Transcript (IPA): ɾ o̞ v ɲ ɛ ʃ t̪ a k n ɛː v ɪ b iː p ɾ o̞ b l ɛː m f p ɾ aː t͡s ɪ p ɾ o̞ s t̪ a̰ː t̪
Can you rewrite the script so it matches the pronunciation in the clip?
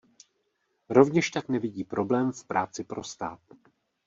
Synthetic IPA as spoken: ɾ o̞ v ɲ ɛ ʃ t̪ a k n ɛ v ɪ ɟ iː p ɾ o̞ b l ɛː m f p ɾ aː t͡s ɪ p ɾ o̞ s t̪ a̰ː t̪